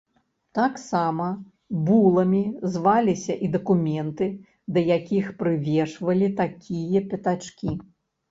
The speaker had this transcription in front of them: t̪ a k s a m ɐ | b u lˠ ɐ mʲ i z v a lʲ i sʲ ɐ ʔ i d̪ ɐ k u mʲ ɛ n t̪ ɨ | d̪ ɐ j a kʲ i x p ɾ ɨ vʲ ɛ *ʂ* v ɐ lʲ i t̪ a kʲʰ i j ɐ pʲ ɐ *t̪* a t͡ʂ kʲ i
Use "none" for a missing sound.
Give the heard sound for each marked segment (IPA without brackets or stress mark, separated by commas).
ʂ, t̪